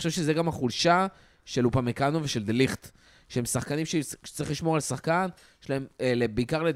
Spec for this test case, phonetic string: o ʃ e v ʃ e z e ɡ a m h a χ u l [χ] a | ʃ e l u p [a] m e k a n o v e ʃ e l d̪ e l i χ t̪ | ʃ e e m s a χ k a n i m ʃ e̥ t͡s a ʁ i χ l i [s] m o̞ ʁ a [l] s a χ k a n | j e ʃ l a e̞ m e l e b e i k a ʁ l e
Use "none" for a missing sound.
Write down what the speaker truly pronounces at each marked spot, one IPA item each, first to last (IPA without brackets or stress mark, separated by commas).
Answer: ʃ, a, ʃ, l